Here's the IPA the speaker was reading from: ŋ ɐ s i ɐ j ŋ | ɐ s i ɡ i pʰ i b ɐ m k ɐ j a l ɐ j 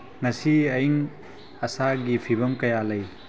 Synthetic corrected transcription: ŋ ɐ s i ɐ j ŋ | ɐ s a ɡ i pʰ i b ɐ m k ɐ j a l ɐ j